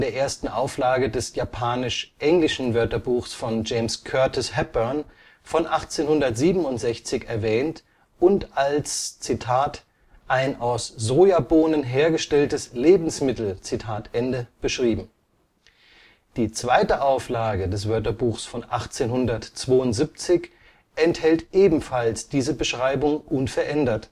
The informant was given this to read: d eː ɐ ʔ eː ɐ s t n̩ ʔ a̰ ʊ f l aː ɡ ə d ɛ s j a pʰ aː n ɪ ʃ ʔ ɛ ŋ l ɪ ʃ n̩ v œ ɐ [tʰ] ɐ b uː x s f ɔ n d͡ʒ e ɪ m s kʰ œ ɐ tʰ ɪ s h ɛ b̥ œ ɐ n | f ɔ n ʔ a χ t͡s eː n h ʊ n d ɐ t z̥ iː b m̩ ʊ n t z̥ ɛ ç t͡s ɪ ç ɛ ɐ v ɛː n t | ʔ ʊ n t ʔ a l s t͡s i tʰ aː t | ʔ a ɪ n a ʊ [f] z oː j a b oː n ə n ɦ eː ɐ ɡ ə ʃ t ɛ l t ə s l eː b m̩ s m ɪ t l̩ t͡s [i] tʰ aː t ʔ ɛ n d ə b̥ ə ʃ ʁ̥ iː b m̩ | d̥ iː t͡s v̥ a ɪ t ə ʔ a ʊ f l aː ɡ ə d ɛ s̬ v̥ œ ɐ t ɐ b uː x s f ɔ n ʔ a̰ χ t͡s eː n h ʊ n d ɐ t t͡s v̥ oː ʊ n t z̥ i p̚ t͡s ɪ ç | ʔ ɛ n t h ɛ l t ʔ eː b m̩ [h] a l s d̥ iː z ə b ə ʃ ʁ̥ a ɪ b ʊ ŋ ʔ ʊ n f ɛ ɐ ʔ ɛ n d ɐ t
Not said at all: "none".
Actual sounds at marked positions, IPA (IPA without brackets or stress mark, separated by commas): t, s, i, f